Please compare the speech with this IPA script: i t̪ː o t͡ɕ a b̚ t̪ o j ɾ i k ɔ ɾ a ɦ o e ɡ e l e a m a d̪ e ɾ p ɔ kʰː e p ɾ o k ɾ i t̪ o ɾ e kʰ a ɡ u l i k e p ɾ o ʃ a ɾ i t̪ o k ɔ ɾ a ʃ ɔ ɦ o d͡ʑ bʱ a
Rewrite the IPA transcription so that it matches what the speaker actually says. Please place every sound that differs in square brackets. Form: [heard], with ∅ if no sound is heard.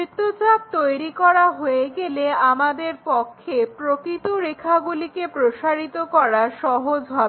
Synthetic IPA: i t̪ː o t͡ɕ a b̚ t̪ o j ɾ i k ɔ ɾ a ɦ o e ɡ e l e a m a d̪ e ɾ p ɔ kʰː e p ɾ o k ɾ i t̪ o ɾ e kʰ a ɡ u l i k e p ɾ o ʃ a ɾ i t̪ o k ɔ ɾ a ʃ ɔ ɦ o d͡ʑ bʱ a